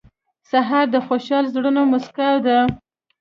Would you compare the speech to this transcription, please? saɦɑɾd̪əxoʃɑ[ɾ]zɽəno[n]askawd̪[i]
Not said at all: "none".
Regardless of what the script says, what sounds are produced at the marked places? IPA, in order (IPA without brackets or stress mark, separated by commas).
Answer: l, m, a